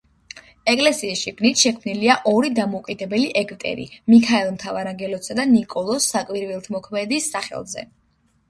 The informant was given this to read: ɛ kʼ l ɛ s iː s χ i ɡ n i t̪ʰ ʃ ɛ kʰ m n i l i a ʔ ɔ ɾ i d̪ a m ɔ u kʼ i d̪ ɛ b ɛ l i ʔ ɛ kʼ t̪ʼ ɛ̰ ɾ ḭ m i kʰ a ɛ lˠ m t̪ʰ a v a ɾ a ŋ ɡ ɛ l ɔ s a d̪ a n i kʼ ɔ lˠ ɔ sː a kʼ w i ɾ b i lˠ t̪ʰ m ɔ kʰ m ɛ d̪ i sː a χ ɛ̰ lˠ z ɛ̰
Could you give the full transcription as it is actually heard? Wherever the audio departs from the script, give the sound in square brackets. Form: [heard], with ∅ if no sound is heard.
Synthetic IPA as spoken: ɛ kʼ l ɛ s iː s [ʃ] i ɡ n i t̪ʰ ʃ ɛ kʰ m n i l i a ʔ ɔ ɾ i d̪ a m ɔ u kʼ i d̪ ɛ b ɛ l i ʔ ɛ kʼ t̪ʼ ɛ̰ ɾ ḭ m i kʰ a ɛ lˠ m t̪ʰ a v a ɾ a ŋ ɡ ɛ l ɔ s a d̪ a n i kʼ ɔ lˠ ɔ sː a kʼ w i ɾ [v] i lˠ t̪ʰ m ɔ kʰ m ɛ d̪ i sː a χ ɛ̰ lˠ z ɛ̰